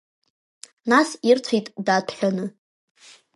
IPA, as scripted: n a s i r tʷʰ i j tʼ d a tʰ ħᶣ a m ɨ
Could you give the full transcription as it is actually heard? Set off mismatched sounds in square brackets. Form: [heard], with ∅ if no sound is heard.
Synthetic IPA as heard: n a s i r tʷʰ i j tʼ d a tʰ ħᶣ a [n] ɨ